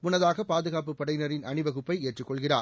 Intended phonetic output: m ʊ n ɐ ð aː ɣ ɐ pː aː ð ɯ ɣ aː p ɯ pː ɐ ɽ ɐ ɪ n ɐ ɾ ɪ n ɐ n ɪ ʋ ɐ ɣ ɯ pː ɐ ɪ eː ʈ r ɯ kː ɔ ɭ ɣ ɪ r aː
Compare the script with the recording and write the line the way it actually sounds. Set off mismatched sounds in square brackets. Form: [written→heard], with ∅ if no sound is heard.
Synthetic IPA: m ʊ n ɐ ð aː ɣ ɐ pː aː ð ɯ ɣ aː p ɯ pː ɐ ɽ ɐ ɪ n ɐ ɾ ɪ n ɐ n ɪ ʋ ɐ ɣ ɯ pː ɐ ɪ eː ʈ r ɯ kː ɔ ɭ ɣ ɪ r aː